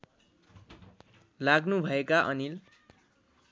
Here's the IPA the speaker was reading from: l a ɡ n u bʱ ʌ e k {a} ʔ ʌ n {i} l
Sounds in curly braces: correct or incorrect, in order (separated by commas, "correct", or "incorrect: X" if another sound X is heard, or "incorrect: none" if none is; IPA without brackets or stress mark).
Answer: correct, correct